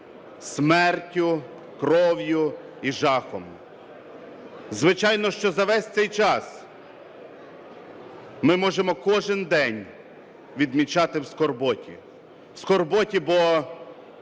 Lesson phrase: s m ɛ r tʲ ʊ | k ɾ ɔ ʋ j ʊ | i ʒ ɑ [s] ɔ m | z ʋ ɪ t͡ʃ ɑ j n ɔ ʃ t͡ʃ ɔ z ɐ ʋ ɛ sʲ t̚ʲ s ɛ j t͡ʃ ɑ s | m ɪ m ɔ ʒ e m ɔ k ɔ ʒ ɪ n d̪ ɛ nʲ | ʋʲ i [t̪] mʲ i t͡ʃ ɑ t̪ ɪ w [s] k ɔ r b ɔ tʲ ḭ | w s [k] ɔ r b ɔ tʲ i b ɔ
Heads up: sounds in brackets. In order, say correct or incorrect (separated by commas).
incorrect, incorrect, correct, correct